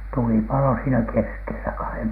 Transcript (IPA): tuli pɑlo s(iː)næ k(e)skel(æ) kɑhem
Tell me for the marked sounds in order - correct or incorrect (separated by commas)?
correct, correct, correct